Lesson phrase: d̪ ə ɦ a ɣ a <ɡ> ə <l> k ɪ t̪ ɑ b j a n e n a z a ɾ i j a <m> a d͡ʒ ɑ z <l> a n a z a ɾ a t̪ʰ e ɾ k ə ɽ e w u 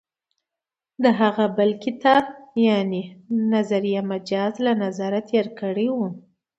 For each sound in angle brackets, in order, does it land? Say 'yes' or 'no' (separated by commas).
no, yes, yes, yes